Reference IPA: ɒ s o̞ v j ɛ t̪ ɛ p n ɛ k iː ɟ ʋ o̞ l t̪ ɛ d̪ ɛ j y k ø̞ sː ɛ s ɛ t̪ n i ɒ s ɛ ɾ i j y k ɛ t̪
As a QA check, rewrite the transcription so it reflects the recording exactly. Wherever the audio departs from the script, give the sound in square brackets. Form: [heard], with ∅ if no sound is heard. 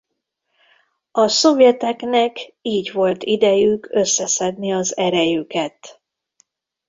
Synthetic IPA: ɒ s o̞ v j ɛ t̪ ɛ [k] n ɛ k iː ɟ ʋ o̞ l t̪ [i] d̪ ɛ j y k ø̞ sː ɛ s ɛ [d̪] n i ɒ [z] ɛ ɾ [ɛ] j y k ɛ t̪